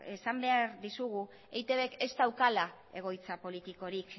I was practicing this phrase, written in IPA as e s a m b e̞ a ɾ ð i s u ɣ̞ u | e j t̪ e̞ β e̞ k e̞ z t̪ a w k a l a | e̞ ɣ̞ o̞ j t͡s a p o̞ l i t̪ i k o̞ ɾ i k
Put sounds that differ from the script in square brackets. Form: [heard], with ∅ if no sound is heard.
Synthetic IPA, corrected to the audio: e s a m b e̞ a ɾ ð i s u ɣ̞ u | e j t̪ e̞ β e̞ k e̞ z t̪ a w k a l a | e̞ ɣ̞ o̞ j t͡s a p o̞ l i t̪ i k o̞ ɾ i k